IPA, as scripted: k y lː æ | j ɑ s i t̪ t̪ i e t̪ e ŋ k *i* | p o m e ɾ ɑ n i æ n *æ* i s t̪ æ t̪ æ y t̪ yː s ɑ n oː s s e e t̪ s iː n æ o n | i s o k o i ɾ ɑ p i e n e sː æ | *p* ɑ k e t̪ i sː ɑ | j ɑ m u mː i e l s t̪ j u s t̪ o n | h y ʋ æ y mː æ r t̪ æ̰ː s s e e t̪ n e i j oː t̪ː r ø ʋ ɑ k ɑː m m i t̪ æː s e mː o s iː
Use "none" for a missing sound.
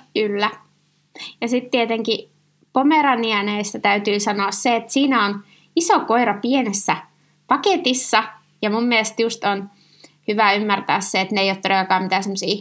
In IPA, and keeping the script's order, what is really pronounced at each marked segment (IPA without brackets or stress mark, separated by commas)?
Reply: i, e, p